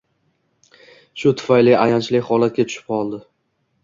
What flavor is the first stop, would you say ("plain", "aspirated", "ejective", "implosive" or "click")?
aspirated